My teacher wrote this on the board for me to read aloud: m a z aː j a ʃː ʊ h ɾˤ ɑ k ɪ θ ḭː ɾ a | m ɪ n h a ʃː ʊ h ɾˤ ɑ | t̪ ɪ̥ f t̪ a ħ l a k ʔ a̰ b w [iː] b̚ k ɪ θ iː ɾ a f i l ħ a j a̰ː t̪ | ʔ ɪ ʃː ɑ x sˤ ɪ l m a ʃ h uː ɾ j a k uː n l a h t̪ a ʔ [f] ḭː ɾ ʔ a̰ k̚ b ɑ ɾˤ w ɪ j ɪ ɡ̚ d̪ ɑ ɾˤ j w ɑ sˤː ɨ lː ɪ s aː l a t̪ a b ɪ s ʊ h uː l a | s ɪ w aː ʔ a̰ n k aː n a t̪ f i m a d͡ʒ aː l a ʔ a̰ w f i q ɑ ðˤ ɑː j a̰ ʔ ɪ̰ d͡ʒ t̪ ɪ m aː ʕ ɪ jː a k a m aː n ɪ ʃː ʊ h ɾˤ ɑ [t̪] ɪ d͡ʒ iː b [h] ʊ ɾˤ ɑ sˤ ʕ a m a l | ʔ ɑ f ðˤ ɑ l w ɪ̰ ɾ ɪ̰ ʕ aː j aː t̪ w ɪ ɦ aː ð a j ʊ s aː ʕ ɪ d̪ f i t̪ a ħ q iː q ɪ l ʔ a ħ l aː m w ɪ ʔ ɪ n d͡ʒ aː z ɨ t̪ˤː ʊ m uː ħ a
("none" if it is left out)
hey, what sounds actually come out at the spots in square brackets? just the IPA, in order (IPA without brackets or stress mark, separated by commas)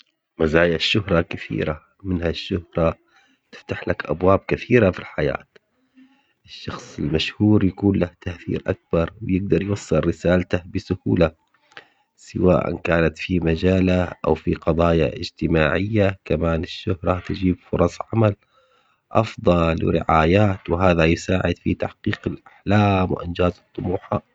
aː, θ, t̪, f